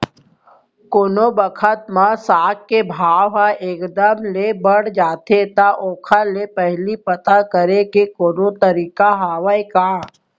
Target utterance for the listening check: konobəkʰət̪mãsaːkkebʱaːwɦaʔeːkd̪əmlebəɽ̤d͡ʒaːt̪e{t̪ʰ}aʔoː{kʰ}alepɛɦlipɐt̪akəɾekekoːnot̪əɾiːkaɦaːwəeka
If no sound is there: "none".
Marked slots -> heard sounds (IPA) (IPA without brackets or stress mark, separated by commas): t̪, kʰ